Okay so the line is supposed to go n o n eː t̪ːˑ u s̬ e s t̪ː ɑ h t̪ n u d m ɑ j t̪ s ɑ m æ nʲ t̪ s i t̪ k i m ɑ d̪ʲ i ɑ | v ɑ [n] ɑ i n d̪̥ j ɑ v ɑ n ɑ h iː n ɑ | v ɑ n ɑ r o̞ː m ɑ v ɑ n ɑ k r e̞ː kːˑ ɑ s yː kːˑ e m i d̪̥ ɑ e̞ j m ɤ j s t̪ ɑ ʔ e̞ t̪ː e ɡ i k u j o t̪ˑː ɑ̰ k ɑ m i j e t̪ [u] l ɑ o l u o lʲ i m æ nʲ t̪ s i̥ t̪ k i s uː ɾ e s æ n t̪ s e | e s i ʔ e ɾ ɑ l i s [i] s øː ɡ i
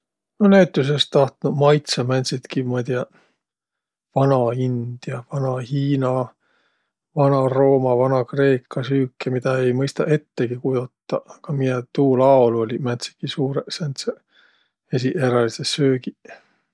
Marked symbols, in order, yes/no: yes, no, no

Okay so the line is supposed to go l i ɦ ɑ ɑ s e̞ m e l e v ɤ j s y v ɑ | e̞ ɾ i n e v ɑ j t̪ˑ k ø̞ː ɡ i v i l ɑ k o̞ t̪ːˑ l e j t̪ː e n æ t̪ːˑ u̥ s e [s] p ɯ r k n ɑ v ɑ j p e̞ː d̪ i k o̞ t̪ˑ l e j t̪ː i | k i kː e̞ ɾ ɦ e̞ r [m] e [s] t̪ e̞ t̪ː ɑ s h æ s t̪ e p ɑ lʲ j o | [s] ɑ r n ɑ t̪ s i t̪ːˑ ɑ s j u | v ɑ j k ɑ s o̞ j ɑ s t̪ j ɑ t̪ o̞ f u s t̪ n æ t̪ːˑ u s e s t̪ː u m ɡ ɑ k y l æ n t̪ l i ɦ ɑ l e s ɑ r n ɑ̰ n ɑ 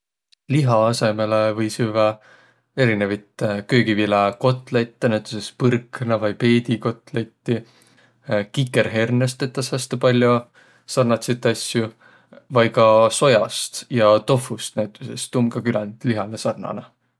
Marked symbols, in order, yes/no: yes, no, yes, yes

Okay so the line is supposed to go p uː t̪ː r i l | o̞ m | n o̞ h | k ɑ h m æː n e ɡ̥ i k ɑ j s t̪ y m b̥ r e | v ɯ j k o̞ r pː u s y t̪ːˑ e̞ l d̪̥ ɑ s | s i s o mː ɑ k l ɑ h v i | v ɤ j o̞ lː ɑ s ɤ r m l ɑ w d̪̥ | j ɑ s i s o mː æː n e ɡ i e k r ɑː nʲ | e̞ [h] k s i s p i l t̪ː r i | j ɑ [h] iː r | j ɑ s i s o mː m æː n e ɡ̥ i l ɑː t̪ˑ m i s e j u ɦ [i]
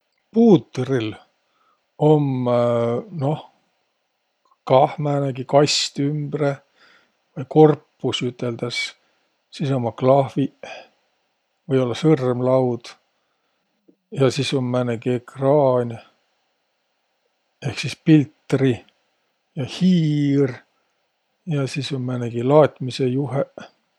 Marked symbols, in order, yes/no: yes, yes, no

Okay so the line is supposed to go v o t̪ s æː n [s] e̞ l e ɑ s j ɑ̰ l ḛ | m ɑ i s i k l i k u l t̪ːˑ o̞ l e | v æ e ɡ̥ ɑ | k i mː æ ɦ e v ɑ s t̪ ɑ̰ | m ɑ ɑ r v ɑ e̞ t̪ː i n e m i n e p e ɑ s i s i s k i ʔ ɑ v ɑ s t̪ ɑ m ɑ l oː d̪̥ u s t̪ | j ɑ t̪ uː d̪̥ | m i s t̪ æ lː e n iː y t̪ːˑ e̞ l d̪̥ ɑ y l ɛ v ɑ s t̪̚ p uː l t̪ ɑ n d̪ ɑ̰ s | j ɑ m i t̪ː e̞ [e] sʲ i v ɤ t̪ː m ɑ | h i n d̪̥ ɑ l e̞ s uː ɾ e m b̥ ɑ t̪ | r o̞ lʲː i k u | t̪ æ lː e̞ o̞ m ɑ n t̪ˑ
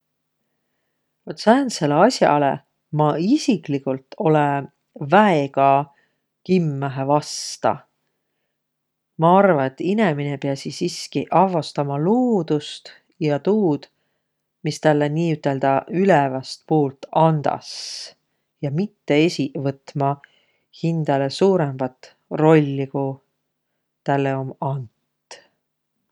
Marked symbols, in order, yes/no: yes, yes

